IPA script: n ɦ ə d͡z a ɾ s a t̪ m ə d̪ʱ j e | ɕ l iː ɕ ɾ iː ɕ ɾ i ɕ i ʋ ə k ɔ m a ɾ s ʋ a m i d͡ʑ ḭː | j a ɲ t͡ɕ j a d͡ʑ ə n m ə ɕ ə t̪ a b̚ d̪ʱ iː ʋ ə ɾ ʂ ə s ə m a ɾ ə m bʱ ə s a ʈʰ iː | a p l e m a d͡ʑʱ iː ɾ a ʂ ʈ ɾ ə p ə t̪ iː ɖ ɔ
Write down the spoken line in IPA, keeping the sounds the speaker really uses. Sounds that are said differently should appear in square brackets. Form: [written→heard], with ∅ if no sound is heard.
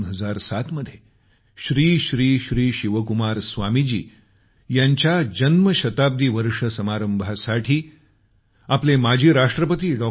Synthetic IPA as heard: n ɦ ə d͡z a ɾ s a t̪ m ə d̪ʱ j e | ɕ [l→ɾ] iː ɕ ɾ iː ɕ ɾ [i→iː] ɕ i ʋ ə k [ɔ→u] m a ɾ s ʋ a m i d͡ʑ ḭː | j a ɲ t͡ɕ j a d͡ʑ ə n m ə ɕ ə t̪ a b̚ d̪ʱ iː ʋ ə ɾ ʂ ə s ə m a ɾ ə m bʱ [ə→a] s a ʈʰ iː | a p l e m a d͡ʑʱ iː ɾ a ʂ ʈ ɾ ə p ə t̪ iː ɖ ɔ